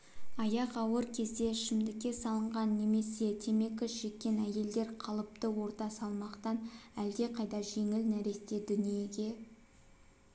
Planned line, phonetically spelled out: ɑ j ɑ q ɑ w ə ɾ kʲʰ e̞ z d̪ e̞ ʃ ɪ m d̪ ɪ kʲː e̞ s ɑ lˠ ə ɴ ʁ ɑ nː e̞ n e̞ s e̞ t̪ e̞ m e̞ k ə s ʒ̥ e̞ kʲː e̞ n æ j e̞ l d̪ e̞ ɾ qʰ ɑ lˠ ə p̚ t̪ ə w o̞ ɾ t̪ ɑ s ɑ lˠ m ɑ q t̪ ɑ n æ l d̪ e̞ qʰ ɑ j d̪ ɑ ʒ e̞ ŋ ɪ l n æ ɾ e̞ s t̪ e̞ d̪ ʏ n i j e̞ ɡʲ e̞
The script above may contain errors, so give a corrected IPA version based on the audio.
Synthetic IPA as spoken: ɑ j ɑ q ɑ w ə ɾ kʲʰ e̞ z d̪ e̞ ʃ ɪ m d̪ ɪ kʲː e̞ s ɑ lˠ ə ɴ ʁ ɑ nː e̞ m e̞ s e̞ t̪ʰ e̞ m e̞ k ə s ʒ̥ e̞ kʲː e̞ n æ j e̞ l d̪ e̞ ɾ qʰ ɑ lˠ ə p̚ t̪ ə w o̞ ɾ t̪ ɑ s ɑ lˠ m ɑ q t̪ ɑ n æ l d̪ e̞ qʰ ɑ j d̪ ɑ ʒ e̞ ŋ ɪ l n æ ɾ e̞ s t̪ e̞ d̪ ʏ n i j e̞ ɡʲ e̞